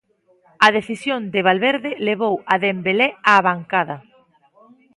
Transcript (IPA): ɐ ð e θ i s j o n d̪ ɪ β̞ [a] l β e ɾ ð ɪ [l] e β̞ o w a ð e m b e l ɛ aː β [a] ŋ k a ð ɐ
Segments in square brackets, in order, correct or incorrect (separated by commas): correct, correct, correct